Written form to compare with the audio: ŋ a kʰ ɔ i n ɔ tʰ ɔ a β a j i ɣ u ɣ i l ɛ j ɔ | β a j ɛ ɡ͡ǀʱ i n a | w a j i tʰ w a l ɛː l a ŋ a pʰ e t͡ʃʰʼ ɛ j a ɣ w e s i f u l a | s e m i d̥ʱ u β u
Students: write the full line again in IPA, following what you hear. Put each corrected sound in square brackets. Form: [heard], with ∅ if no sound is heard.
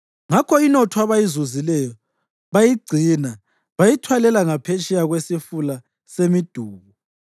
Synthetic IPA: ŋ a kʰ ɔ i n ɔ tʰ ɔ a β a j i [z] u [z] i l ɛ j ɔ | β a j [i] ɡ͡ǀʱ i n a | [β] a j i tʰ w a l [ɛ] l a ŋ a pʰ e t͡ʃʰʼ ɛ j a ɣ w e s i f u l a | s e m i d̥ʱ [uː] β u